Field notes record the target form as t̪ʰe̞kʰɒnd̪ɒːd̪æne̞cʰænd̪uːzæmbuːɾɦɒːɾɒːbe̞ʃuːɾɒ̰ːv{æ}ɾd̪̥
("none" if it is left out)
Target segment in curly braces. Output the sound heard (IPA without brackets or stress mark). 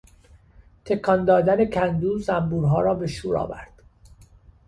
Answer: æ